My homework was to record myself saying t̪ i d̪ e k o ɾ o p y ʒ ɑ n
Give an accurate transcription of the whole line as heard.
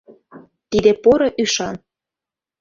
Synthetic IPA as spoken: t̪ i d̪ e p o ɾ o ʔ y ʃ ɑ n